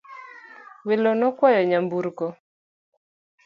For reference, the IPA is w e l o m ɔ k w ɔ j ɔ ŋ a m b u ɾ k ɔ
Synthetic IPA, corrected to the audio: w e l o n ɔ k w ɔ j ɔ ɲ a m b u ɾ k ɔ